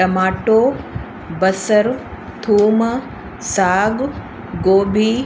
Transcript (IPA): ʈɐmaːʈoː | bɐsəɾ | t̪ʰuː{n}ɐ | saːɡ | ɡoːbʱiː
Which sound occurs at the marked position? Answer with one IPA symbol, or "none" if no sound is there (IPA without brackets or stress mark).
m